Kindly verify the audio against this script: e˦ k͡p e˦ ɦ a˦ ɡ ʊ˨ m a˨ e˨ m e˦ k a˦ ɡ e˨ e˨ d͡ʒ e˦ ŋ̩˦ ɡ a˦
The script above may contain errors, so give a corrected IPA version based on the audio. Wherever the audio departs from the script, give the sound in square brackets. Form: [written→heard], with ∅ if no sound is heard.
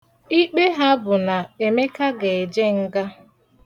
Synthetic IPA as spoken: [e˦→i˦] k͡p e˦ ɦ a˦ [ɡ→b] ʊ˨ [m→n] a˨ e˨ m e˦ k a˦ ɡ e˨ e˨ d͡ʒ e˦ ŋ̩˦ ɡ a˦